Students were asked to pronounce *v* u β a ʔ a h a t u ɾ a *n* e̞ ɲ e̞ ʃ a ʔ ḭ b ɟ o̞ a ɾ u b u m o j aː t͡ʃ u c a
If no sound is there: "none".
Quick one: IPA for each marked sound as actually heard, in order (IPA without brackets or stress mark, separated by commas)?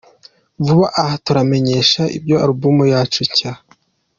v, m